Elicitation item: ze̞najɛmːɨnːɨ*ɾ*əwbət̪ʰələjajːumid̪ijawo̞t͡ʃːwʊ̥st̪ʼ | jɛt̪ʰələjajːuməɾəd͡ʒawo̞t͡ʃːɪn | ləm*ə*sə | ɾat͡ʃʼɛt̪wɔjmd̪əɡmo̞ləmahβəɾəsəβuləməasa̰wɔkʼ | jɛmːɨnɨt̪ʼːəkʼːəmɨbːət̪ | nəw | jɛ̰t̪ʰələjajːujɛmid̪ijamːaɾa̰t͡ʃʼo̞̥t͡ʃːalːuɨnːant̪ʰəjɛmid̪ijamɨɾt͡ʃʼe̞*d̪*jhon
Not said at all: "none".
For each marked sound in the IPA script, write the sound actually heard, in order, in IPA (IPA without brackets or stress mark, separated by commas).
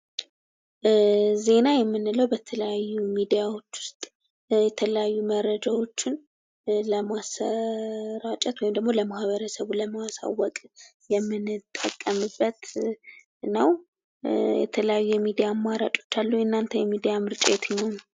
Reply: l, a, t̪